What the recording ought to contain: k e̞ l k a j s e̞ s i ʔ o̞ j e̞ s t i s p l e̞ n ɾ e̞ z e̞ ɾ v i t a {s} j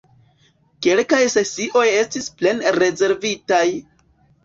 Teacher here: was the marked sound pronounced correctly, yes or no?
no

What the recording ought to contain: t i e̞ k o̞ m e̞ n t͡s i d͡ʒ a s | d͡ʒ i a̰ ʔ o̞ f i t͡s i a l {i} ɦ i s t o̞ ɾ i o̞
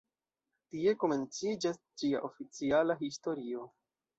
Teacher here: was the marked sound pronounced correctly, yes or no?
no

